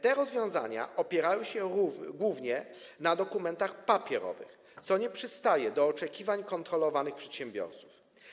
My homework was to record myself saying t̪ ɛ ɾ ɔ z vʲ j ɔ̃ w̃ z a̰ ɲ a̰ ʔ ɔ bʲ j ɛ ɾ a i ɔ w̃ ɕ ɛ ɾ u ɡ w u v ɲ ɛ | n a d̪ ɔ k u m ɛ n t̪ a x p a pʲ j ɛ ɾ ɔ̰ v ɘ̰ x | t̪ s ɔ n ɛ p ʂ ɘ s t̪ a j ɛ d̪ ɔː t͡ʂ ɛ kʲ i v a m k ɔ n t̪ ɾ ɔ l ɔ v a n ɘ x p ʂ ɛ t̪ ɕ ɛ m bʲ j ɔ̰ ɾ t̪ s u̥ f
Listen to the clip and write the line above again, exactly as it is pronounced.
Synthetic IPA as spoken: t̪ ɛ ɾ ɔ z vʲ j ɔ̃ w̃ z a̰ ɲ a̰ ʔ ɔ pʲ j ɛ ɾ a j ɔ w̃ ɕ ɛ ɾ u ɡ w u v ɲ ɛ | n a d̪ ɔ k u m ɛ n t̪ a x p a pʲ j ɛ ɾ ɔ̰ v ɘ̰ x | t̪ s ɔ ɲ ɛ p ʂ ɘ s t̪ a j ɛ d̪ ɔː t͡ʂ ɛ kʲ i v a ɲ k ɔ n t̪ ɾ ɔ l ɔ v a n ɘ x p ʂ ɛ t̪ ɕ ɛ m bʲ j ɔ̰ ɾ t̪ s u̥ f

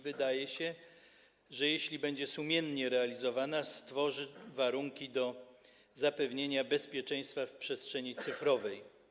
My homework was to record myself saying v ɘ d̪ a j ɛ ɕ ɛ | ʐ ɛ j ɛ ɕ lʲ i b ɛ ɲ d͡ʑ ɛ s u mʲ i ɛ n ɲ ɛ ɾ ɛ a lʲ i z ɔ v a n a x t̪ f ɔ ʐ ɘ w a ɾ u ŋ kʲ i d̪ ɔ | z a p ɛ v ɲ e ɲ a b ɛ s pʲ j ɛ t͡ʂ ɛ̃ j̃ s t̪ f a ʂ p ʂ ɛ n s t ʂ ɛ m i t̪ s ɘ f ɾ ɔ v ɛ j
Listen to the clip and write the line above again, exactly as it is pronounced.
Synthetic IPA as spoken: v ɘ d̪ a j ɛ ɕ ɛ | ʐ ɛ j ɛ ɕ lʲ i b ɛ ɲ d͡ʑ ɛ s u mʲ j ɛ n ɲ ɛ ɾ ɛ a lʲ i z ɔ v a n a s t̪ f ɔ ʐ ɘ v a ɾ u ŋ kʲ i d̪ ɔ | z a p ɛ v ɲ e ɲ a b ɛ s pʲ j ɛ t͡ʂ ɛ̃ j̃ s t̪ f a f p ʂ ɛ s t ʂ ɛ ɲ i t̪ s ɘ f ɾ ɔ v ɛ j

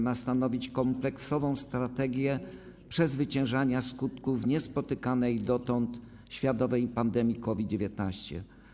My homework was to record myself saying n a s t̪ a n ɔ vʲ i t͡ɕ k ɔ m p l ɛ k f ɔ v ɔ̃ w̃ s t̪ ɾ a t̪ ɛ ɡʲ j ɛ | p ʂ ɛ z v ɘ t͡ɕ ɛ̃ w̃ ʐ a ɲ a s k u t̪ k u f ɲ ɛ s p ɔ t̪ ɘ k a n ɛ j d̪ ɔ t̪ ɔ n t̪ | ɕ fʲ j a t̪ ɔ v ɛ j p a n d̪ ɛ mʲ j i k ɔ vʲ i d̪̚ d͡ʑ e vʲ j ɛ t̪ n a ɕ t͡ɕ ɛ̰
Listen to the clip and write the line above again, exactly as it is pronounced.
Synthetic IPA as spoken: m a s t̪ a n ɔ vʲ i t͡ɕ k ɔ m p l ɛ k s ɔ v ɔ̃ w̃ s t̪ ɾ a t̪ ɛ ɡʲ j ɛ | p ʂ ɛ z v ɘ t͡ɕ ɛ̃ w̃ ʐ a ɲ a s k u t̪ k u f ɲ ɛ s p ɔ t̪ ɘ k a n ɛ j d̪ ɔ t̪ ɔ n t̪ | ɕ fʲ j a t̪ ɔ v ɛ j p a n d̪ ɛ mʲ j i k ɔ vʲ i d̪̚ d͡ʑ e vʲ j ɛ t̪ n a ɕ t͡ɕ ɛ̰

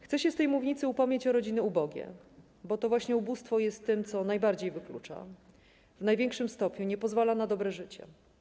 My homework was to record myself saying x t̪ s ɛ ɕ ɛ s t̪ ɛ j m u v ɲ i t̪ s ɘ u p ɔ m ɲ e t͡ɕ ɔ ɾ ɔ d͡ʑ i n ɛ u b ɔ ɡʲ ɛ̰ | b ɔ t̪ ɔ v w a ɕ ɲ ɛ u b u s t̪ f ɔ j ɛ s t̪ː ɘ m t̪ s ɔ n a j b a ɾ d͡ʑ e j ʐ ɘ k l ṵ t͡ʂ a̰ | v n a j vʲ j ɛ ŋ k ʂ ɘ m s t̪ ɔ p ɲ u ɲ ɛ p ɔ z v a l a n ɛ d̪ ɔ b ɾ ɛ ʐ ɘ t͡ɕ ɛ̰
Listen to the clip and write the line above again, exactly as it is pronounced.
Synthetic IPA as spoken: x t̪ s ɛ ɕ ɛ s t̪ ɛ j m u v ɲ i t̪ s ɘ u p ɔ m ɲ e t͡ɕ ɔ ɾ ɔ d͡ʑ i n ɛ u b ɔ ɡʲ ɛ̰ | b ɔ t̪ ɔ v w a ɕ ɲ ɛ u b u s t̪ f ɔ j ɛ s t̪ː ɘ m t̪ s ɔ n a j b a ɾ d͡ʑ e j v ɘ k l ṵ t͡ʂ a̰ | v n a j vʲ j ɛ ŋ k ʂ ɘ m s t̪ ɔ p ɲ u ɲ ɛ p ɔ z v a l a n a d̪ ɔ b ɾ ɛ ʐ ɘ t͡ɕ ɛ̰

